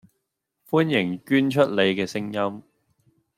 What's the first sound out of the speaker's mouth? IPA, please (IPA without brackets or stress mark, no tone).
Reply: f